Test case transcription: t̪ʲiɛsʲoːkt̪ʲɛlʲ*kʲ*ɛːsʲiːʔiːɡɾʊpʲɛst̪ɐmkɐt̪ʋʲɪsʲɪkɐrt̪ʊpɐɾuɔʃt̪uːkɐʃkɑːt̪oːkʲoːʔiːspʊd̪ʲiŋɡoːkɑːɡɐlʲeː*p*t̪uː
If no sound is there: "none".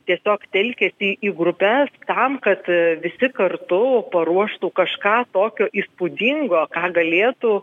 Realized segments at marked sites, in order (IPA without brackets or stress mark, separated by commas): kʲ, none